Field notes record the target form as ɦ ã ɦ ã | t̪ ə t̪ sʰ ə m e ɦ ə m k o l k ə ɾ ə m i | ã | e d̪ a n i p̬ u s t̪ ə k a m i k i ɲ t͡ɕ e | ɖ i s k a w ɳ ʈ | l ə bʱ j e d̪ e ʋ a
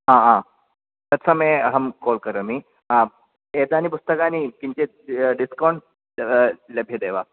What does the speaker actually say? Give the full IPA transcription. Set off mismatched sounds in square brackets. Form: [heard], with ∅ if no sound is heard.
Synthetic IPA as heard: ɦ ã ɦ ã | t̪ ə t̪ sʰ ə m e ɦ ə m k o l k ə ɾ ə m i | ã | e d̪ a n i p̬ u s t̪ ə k a [n] i k i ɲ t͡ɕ e | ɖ i s k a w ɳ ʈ | l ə bʱ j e d̪ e ʋ a